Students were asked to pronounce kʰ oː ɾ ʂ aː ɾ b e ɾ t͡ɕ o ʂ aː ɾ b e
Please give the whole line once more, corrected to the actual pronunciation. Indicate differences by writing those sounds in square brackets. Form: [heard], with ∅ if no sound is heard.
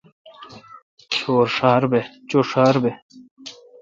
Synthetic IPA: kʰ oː ɾ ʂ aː ɾ b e [∅] t͡ɕ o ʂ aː ɾ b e